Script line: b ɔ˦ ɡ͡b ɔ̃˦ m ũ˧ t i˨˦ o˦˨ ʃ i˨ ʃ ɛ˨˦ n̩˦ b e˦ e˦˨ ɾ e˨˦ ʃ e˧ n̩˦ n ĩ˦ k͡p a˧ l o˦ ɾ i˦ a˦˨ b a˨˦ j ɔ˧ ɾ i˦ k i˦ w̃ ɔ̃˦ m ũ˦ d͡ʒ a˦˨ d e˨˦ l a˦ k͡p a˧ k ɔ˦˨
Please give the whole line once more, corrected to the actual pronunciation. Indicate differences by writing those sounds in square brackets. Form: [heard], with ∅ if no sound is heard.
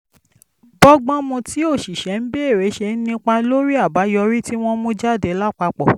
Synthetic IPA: b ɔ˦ ɡ͡b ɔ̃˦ m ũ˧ t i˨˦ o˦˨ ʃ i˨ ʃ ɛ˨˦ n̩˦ b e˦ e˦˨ ɾ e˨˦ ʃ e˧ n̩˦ n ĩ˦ k͡p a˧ l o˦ ɾ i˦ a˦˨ b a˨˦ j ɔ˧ ɾ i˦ [t] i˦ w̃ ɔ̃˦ m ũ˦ d͡ʒ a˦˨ d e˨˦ l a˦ k͡p a˧ [k͡p] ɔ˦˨